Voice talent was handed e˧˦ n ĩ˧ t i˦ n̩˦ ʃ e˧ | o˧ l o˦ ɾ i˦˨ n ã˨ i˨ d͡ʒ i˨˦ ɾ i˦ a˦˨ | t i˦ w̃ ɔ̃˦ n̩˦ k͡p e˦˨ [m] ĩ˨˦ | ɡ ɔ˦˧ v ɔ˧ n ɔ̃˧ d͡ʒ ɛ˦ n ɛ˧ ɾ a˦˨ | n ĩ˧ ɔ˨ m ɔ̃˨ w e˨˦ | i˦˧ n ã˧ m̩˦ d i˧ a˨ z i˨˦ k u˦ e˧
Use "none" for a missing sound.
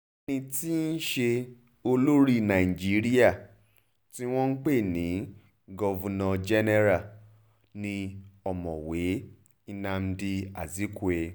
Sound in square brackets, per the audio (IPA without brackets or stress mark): n